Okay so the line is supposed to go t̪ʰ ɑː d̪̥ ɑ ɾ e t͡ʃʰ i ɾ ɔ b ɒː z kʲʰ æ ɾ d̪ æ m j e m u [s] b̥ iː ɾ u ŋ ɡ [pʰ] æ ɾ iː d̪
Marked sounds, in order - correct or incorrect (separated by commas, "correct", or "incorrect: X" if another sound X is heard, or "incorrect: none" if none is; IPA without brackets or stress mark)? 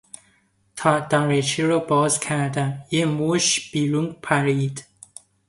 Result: incorrect: ʃ, correct